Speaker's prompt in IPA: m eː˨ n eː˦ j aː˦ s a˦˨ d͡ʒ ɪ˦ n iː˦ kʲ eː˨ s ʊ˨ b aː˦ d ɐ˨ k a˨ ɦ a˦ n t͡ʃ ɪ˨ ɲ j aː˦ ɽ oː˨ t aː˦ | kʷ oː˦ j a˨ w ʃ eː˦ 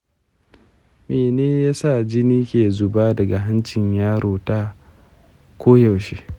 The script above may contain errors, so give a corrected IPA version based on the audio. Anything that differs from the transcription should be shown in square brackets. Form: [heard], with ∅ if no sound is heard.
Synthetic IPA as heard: m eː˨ n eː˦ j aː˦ s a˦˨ d͡ʒ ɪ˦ n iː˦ kʲ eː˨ [z] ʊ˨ b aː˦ d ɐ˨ [ɡ] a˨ ɦ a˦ n t͡ʃ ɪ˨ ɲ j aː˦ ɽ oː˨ t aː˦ | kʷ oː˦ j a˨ w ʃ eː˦